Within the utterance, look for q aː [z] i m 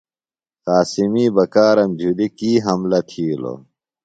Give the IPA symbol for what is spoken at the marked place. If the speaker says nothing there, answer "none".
s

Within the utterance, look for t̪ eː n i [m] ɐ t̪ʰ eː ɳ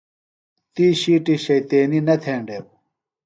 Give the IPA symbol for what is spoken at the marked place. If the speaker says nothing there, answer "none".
n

